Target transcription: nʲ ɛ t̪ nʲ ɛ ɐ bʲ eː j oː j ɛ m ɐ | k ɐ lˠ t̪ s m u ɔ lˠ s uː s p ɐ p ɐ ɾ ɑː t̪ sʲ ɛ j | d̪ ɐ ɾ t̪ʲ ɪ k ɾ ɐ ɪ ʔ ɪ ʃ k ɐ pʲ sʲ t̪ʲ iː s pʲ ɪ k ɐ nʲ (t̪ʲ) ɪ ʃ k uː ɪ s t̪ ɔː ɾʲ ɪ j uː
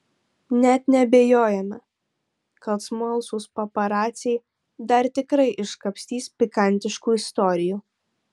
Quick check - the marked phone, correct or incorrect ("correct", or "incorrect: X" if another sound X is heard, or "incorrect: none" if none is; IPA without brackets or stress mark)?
correct